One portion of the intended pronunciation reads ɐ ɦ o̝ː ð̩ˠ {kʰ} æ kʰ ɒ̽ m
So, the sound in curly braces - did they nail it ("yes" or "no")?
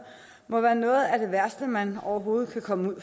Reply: yes